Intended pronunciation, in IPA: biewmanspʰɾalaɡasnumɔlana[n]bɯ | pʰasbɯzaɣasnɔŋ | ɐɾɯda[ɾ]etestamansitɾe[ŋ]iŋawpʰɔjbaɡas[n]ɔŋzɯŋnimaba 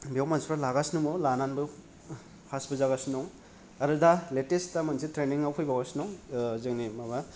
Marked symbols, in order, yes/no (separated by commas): yes, no, no, yes